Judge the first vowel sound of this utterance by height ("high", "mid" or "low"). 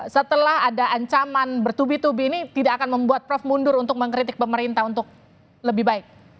mid